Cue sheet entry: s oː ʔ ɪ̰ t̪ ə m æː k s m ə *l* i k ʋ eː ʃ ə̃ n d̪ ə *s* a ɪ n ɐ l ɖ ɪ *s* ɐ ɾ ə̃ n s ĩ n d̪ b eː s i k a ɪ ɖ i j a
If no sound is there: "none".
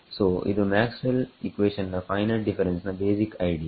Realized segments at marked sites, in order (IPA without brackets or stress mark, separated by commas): l, f, f